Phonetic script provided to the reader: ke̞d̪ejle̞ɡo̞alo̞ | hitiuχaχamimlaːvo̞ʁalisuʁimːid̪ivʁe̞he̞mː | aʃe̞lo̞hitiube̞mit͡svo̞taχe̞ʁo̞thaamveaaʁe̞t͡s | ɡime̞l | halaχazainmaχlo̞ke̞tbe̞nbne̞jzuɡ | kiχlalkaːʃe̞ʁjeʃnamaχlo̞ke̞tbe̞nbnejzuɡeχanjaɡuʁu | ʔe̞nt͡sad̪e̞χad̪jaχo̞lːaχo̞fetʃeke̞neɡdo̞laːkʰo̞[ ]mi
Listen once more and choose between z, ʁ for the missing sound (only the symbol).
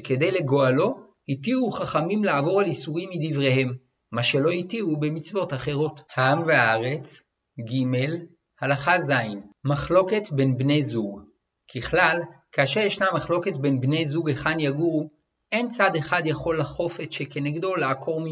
ʁ